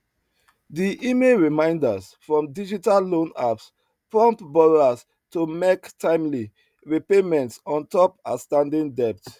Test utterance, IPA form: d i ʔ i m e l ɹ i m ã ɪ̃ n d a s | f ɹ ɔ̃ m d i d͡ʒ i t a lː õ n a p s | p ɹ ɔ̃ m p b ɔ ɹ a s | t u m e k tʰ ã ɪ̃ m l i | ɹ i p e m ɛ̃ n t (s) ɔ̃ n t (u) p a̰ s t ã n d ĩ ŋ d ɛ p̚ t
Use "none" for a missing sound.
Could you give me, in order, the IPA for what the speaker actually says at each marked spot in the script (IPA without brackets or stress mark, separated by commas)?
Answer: s, ɔ